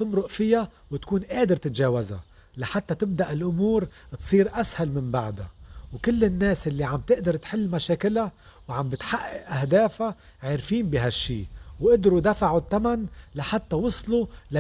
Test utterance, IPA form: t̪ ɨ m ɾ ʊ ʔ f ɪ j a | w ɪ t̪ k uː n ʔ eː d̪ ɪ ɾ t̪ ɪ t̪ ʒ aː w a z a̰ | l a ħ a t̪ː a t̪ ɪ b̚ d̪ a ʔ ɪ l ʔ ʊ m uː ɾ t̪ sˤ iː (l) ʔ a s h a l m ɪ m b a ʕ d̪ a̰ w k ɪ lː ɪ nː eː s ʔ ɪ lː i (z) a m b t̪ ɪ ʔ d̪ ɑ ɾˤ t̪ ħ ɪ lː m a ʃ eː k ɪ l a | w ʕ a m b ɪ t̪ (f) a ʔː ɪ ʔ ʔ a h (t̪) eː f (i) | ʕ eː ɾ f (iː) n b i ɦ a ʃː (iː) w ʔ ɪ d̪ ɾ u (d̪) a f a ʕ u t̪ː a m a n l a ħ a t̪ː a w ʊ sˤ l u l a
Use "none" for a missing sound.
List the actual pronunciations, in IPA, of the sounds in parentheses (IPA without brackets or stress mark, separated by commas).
ɾ, ʕ, ħ, d̪, a, iː, iː, d̪